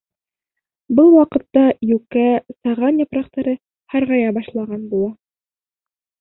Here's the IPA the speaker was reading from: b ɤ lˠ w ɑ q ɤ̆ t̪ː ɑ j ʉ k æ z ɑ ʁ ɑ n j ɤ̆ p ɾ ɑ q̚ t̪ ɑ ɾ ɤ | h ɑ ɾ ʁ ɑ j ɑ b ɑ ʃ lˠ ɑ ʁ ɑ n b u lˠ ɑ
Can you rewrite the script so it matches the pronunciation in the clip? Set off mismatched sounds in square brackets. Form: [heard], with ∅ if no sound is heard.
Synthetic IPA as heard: b ɤ lˠ w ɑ q ɤ̆ t̪ː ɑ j ʉ k æ [s] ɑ ʁ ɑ n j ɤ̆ p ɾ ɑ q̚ t̪ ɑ ɾ ɤ | h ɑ ɾ ʁ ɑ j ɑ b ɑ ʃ lˠ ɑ ʁ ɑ n b u lˠ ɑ